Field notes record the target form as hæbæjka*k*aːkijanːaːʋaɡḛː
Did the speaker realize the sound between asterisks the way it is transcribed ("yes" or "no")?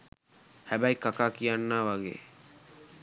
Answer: yes